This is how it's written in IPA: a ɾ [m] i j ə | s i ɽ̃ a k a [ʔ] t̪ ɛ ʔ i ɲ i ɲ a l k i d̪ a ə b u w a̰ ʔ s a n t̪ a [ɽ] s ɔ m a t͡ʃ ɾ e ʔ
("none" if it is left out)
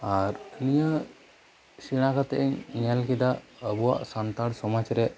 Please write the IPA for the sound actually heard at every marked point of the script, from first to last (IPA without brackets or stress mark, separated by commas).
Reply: n, none, ɽ